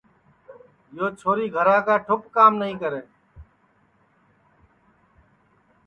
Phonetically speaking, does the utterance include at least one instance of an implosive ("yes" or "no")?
no